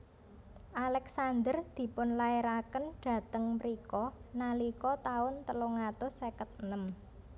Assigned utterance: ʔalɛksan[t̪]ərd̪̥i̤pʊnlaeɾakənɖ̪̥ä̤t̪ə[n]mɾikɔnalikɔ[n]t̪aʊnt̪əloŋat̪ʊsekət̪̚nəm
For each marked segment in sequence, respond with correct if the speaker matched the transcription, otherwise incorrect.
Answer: incorrect: d̪, incorrect: ŋ, incorrect: none

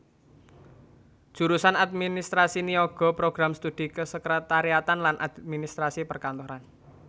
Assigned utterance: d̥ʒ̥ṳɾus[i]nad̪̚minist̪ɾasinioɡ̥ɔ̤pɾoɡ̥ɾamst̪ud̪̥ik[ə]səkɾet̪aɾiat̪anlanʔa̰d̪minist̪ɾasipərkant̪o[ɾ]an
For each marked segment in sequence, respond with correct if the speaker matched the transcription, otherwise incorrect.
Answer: incorrect: a, correct, correct

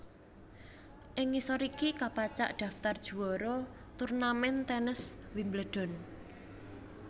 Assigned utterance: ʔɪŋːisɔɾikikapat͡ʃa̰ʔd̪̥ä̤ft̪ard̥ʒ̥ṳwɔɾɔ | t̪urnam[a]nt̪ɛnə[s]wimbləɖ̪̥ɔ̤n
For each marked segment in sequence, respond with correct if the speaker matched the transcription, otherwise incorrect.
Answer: incorrect: ɛ, correct

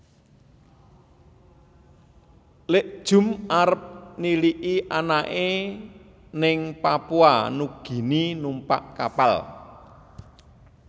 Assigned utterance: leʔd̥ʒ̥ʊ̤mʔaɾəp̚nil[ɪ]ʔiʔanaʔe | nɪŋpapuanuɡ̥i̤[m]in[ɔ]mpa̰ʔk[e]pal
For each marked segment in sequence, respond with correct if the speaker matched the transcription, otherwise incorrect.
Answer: incorrect: i, incorrect: n, incorrect: u, incorrect: a

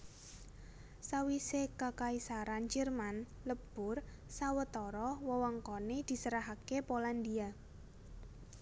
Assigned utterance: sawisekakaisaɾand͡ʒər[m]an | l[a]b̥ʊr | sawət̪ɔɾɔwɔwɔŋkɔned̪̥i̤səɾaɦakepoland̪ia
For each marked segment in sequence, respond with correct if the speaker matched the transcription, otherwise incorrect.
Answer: correct, incorrect: ə

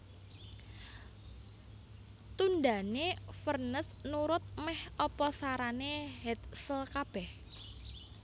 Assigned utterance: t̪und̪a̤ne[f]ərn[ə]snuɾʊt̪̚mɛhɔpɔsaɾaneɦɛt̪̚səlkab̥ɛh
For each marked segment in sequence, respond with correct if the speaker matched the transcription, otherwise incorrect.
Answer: correct, correct

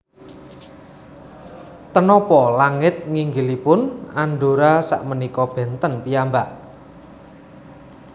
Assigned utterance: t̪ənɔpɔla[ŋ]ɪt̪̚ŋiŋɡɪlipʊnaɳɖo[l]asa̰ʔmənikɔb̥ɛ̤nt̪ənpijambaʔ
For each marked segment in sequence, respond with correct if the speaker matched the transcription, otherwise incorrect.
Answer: correct, incorrect: ɾ

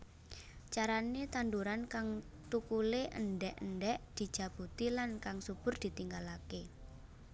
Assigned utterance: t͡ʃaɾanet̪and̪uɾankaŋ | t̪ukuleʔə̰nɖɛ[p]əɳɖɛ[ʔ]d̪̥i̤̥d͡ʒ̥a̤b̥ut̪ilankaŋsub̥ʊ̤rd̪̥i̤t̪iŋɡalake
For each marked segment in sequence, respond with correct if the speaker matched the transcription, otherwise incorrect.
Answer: incorrect: ʔ, correct

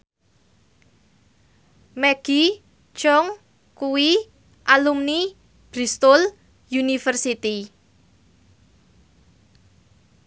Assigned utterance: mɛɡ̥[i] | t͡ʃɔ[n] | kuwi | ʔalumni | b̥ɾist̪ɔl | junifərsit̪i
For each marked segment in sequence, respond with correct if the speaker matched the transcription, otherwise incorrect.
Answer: correct, incorrect: ŋ

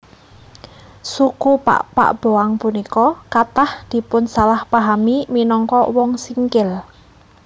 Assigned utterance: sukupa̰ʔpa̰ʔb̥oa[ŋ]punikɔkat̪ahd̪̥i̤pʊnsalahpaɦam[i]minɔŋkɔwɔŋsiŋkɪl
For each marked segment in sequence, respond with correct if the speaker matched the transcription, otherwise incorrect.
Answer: correct, correct

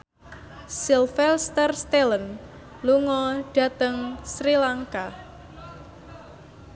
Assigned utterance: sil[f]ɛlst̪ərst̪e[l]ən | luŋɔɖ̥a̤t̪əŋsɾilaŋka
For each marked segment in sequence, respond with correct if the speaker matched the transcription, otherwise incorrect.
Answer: correct, correct

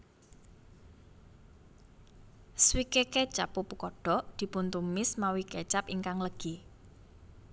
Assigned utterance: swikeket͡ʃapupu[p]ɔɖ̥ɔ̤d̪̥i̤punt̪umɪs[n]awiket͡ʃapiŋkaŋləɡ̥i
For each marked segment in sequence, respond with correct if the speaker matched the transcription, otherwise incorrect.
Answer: incorrect: k, incorrect: m

